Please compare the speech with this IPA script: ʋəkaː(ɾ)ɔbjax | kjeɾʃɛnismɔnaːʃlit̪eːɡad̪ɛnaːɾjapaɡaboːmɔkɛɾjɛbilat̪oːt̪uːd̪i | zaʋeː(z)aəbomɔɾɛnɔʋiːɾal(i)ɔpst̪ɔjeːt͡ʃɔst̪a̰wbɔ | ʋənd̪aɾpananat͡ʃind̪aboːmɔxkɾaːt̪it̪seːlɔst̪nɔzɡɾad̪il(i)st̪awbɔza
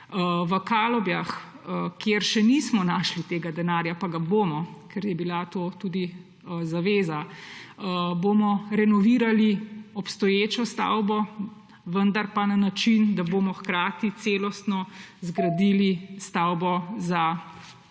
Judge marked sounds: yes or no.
no, yes, yes, yes

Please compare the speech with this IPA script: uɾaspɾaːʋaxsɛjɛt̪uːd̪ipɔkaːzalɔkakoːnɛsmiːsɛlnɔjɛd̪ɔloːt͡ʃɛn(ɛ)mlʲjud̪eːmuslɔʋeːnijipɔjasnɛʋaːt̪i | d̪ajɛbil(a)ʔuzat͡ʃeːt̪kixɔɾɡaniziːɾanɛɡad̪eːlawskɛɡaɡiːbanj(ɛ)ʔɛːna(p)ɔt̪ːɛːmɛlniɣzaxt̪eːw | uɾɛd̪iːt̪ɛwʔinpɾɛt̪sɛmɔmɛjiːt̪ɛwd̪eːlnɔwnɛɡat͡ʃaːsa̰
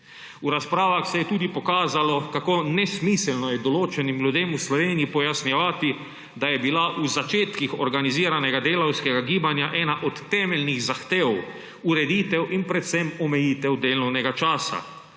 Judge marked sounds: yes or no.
no, yes, no, no

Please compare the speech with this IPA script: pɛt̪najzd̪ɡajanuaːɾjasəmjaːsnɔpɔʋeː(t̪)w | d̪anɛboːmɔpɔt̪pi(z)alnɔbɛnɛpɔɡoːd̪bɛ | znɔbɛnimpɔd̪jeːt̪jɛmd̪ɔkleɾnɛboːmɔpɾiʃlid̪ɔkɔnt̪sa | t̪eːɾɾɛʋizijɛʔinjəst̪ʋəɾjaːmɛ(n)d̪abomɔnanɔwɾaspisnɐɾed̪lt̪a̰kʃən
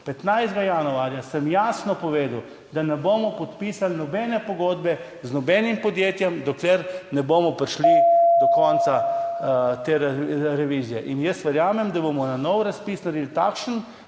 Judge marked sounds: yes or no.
no, no, no

